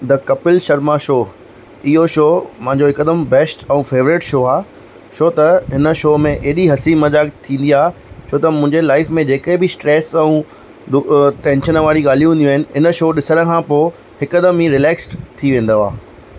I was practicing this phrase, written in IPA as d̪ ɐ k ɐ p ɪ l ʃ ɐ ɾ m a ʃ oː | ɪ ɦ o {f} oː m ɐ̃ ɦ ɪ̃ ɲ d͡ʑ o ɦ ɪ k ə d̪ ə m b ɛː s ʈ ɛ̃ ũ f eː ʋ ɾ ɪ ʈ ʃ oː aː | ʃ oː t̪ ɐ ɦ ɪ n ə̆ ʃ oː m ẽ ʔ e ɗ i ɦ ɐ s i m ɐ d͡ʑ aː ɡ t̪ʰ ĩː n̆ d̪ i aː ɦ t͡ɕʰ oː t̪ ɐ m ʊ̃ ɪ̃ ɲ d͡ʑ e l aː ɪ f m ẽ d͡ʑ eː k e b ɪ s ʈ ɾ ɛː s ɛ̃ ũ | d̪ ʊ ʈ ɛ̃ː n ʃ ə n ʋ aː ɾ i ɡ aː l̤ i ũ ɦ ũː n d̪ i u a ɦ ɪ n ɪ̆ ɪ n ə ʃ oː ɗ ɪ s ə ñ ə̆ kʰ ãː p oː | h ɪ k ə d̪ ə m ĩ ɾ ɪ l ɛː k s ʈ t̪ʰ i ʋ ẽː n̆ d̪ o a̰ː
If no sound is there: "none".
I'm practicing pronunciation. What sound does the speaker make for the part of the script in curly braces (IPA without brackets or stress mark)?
ʃ